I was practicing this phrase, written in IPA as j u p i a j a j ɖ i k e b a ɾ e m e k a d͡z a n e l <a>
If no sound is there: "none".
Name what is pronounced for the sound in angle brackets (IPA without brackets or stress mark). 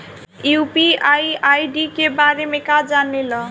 ʌ